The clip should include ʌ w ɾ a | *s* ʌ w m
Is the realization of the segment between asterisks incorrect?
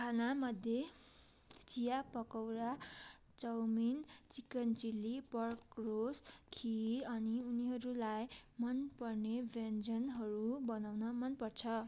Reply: yes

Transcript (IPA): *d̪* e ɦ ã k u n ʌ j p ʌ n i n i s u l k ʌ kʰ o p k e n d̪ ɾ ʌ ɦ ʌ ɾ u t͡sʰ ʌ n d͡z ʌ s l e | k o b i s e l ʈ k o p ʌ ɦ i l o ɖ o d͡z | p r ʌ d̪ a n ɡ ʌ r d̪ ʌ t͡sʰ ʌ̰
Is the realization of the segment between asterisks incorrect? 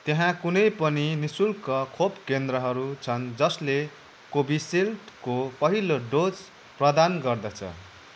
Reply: yes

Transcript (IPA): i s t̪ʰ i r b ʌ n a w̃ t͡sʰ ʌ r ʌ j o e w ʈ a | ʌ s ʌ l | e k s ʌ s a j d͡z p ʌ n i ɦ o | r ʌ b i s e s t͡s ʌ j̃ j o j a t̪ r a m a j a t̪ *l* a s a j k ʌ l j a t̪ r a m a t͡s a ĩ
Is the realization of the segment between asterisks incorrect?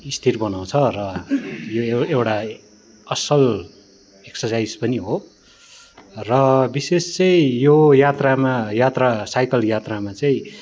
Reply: yes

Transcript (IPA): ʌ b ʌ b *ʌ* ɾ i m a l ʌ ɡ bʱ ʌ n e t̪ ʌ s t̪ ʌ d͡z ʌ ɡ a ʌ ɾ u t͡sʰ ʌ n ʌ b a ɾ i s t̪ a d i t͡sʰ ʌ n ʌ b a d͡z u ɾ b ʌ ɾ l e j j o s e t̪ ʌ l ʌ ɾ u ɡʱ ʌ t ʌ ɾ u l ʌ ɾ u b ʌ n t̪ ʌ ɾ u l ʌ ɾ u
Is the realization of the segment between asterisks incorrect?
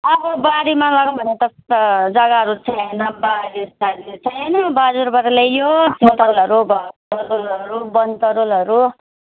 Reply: yes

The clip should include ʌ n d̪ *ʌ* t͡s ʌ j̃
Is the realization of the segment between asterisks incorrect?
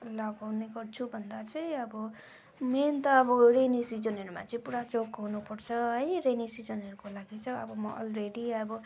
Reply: yes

